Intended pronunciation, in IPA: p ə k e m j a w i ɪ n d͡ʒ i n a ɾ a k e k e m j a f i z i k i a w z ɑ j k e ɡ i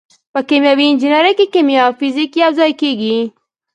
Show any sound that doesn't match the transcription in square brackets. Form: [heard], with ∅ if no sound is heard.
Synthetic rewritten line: p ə k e m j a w i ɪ n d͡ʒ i n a ɾ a k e k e m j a f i z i k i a w z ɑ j k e ɡ i